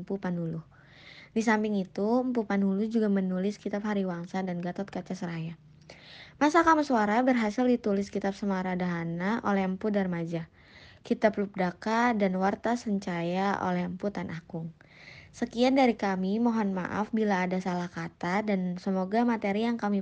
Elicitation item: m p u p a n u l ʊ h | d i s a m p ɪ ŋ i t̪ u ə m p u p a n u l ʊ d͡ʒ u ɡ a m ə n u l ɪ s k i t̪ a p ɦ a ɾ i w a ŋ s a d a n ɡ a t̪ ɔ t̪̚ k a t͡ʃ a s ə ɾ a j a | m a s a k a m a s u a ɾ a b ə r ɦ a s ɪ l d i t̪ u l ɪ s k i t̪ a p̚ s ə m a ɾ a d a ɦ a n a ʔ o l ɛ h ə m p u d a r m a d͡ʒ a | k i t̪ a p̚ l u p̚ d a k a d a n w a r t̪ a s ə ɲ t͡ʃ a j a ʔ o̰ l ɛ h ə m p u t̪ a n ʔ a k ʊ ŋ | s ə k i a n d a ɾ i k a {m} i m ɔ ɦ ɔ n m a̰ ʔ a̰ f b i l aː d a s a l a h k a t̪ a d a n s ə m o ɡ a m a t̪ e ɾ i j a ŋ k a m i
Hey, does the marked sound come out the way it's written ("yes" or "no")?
yes